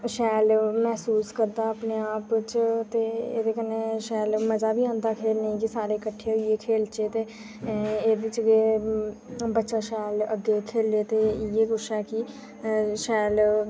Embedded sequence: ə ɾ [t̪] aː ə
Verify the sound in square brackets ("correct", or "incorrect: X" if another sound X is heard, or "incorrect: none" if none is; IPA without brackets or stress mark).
incorrect: d̪